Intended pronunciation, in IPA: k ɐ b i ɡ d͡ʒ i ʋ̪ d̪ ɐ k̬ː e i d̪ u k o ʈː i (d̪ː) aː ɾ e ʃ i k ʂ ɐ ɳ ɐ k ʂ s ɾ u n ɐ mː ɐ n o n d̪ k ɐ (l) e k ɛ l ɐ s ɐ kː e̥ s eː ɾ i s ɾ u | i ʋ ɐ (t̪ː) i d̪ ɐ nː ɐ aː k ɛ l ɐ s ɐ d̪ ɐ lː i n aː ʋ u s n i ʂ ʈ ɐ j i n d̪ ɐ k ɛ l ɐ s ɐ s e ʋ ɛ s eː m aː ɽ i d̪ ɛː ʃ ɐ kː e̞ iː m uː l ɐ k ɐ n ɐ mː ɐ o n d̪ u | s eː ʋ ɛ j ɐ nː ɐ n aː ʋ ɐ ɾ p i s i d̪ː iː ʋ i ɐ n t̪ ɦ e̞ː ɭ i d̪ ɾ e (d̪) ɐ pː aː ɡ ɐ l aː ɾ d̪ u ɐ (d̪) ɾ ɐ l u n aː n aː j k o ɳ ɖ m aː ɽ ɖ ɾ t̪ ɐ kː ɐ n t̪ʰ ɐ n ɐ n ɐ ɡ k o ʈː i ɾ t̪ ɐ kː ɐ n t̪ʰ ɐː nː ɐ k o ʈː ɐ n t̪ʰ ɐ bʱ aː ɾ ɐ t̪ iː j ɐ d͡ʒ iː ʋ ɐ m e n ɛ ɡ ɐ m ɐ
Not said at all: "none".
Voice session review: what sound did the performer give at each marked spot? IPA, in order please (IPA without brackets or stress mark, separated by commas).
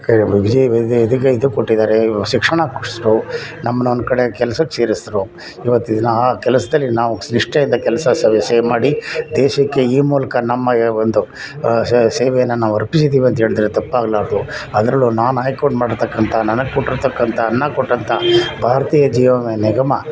d̪, ɽ, t̪ː, t̪, d̪